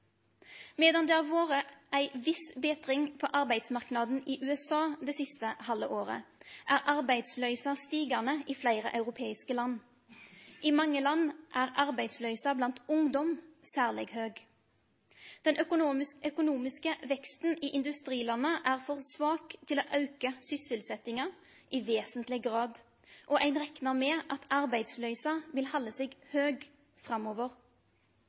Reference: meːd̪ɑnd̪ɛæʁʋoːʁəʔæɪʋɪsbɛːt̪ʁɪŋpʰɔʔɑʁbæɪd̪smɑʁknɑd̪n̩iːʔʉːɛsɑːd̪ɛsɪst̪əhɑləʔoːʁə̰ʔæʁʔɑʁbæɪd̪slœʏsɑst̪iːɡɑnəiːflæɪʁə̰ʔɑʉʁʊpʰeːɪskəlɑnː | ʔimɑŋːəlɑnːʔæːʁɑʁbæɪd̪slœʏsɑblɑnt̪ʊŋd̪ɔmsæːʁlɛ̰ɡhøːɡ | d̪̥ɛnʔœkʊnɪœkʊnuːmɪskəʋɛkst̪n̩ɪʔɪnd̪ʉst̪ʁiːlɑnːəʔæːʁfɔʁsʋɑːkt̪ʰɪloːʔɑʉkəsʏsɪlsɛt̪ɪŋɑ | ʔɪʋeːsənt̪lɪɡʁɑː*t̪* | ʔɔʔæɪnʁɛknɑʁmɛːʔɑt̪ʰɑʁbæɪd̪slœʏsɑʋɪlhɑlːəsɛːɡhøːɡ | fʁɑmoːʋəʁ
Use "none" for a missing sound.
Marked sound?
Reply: d̪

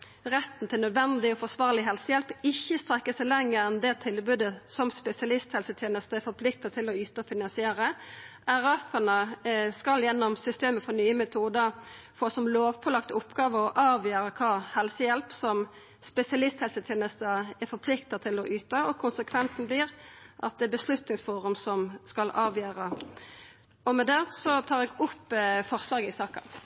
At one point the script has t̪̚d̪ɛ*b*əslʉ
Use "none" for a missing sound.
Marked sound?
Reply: b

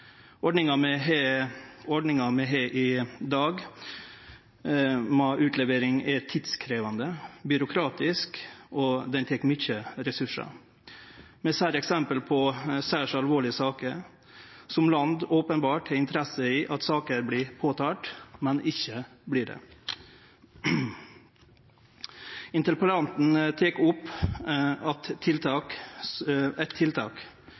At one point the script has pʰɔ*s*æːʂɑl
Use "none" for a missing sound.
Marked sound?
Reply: s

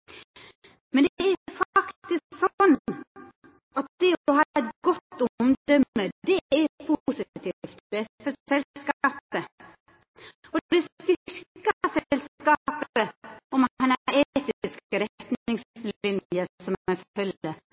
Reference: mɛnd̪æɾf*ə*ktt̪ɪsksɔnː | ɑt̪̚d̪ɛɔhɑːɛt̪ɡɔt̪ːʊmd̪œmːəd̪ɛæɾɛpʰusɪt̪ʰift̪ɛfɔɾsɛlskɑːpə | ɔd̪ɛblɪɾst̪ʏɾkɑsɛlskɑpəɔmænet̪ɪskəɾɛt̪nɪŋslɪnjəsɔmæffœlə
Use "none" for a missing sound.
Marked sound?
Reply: ɑ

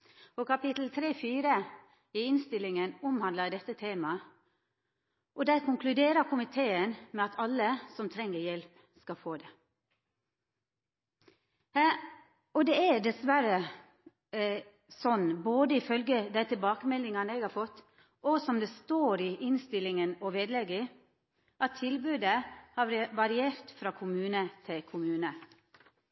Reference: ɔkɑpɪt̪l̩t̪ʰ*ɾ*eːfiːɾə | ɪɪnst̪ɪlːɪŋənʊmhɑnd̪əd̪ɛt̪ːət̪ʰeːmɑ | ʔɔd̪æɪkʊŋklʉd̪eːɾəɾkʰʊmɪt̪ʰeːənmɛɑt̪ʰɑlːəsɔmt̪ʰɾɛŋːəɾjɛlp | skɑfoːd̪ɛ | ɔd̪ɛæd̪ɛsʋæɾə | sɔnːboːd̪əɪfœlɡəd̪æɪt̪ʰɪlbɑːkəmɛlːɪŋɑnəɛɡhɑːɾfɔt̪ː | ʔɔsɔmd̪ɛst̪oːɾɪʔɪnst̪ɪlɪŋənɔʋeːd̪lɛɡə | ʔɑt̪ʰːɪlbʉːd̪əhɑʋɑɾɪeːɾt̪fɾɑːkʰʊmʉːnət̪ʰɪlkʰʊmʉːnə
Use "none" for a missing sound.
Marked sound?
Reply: ɾ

